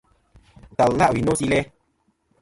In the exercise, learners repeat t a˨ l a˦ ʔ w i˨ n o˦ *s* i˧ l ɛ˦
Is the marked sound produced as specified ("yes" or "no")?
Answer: yes